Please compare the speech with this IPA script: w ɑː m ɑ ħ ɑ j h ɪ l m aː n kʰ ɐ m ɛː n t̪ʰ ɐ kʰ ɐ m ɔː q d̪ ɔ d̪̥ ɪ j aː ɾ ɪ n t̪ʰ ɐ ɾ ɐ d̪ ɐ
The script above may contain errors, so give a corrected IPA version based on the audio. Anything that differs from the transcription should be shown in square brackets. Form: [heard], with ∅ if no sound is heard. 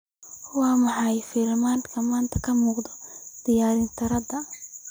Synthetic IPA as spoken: w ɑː m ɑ ħ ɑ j [f] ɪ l m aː n kʰ ɐ m [aː] n t̪ʰ ɐ kʰ ɐ m [uː] q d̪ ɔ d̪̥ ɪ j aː ɾ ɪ n t̪ʰ ɐ ɾ ɐ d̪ ɐ